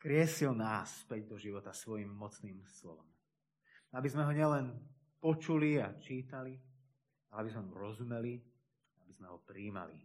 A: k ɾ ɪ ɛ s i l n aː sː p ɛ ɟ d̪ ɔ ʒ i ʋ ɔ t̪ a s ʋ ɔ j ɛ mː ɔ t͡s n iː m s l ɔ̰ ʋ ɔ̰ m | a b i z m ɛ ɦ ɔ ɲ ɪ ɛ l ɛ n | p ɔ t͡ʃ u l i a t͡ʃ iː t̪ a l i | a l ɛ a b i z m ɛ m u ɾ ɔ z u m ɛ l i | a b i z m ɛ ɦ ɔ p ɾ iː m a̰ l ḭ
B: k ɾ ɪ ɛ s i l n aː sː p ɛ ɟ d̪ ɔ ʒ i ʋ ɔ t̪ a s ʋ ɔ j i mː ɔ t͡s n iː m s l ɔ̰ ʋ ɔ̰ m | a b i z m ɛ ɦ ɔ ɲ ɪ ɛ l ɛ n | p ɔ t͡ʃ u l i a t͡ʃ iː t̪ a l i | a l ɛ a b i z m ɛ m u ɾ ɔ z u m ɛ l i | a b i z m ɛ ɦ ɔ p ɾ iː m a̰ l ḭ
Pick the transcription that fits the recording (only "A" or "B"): B